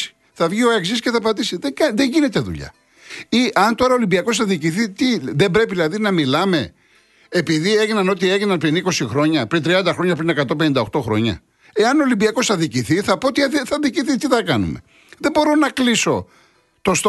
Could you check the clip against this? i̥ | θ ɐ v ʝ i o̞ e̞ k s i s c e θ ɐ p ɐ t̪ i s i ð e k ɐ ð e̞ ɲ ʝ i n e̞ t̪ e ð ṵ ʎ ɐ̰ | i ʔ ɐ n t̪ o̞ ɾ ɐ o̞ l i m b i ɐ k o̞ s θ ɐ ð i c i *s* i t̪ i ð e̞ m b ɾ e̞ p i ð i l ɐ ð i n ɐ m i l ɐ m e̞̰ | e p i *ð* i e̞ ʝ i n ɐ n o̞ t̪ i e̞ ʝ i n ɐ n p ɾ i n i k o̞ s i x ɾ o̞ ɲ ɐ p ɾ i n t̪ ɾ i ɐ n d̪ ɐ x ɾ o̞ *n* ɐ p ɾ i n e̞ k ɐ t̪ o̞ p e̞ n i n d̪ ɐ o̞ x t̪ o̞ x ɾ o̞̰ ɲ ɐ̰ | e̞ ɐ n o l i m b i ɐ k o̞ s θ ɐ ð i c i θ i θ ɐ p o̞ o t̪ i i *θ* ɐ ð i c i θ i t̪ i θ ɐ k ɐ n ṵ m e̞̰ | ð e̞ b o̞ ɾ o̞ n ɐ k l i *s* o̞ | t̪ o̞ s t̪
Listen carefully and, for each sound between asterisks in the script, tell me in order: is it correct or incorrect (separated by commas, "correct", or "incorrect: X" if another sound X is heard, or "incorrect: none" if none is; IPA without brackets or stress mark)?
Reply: incorrect: θ, correct, incorrect: ɲ, correct, correct